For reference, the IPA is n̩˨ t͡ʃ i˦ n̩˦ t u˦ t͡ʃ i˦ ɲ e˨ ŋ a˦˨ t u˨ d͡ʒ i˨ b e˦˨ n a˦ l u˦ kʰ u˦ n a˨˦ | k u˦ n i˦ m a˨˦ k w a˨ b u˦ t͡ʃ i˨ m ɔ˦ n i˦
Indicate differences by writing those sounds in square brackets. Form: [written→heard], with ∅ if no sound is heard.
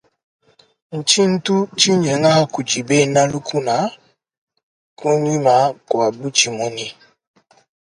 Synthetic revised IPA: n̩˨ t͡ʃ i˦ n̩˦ t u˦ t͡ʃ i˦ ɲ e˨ ŋ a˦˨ [t→k] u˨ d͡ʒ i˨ b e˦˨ n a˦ l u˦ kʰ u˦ n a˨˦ | k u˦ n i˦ m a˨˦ k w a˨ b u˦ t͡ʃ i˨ m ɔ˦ n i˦